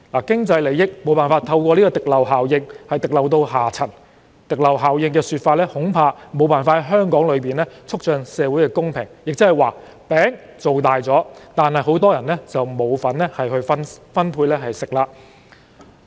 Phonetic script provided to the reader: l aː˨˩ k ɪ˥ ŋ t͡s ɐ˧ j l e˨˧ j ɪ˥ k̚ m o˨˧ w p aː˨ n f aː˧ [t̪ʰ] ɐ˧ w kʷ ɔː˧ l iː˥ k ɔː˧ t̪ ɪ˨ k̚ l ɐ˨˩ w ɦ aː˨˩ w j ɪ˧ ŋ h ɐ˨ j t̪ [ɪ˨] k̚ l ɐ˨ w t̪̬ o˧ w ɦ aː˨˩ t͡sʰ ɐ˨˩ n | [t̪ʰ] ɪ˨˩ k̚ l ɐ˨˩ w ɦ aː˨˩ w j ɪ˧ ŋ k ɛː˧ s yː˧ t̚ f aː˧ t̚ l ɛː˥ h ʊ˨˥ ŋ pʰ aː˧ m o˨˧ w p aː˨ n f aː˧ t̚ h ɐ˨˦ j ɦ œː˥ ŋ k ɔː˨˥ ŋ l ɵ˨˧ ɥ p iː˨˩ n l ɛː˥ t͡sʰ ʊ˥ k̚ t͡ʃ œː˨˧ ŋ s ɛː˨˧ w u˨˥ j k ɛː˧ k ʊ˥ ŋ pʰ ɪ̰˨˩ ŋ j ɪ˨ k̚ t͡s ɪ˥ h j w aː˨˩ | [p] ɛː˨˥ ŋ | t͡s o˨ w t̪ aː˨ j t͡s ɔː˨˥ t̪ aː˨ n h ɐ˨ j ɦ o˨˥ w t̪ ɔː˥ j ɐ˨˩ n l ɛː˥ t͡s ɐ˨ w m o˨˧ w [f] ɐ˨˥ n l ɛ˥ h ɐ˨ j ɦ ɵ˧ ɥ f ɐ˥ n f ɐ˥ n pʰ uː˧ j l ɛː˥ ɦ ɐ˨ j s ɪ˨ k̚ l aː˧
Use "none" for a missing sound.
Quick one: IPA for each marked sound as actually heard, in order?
t̪ʰ, ɪ˨, t̪, p, f

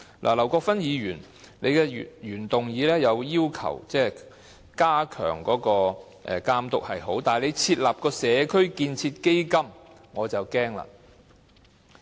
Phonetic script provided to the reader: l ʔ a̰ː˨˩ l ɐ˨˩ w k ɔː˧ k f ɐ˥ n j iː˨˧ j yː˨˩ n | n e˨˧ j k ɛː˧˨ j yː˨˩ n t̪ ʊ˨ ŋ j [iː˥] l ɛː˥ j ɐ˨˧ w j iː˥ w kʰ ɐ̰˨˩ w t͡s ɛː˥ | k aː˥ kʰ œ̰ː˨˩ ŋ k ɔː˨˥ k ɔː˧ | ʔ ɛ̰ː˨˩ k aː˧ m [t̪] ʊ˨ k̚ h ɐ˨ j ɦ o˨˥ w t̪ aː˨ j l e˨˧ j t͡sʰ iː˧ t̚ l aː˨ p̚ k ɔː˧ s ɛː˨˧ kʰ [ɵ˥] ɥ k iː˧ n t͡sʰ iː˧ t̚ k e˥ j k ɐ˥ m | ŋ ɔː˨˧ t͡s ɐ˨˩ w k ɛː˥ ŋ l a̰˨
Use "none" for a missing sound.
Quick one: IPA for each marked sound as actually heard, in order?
iː˨˧, t̪, ɵ˥

